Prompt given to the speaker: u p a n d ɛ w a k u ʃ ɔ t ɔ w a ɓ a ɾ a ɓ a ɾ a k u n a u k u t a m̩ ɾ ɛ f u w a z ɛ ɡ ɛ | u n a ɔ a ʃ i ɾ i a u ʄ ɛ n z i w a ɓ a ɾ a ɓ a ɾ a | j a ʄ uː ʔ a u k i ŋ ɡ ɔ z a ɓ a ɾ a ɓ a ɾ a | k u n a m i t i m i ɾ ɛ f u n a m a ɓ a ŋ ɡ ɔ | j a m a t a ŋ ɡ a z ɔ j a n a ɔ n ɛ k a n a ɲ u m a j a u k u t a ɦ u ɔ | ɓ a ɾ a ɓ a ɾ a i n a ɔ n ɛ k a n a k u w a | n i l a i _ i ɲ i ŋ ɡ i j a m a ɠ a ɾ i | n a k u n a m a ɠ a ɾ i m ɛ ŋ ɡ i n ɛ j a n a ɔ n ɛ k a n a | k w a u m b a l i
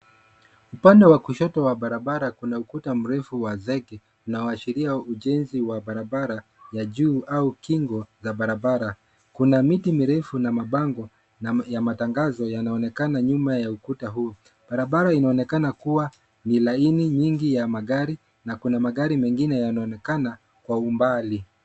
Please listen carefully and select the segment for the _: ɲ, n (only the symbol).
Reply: n